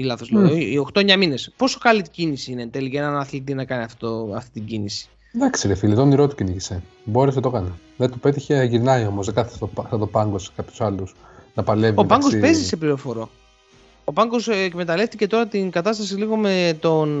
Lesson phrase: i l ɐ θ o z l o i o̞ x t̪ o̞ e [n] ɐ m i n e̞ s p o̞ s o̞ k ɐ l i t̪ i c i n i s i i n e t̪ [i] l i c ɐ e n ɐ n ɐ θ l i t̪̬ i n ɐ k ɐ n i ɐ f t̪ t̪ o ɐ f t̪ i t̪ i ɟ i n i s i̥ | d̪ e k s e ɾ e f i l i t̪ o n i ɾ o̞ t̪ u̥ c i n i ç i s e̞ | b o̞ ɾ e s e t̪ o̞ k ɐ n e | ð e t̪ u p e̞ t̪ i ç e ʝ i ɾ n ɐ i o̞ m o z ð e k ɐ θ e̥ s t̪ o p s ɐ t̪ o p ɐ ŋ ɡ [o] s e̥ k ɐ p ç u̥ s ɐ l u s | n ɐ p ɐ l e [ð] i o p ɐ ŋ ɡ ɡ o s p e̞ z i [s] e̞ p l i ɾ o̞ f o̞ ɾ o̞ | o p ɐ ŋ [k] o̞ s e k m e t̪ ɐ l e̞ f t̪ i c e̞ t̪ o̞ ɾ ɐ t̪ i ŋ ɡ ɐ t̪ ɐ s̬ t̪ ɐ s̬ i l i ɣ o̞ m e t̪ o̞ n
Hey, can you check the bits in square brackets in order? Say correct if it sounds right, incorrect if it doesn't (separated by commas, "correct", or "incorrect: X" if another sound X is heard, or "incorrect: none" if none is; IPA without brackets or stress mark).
incorrect: ɲ, incorrect: e, correct, incorrect: v, correct, incorrect: ɡ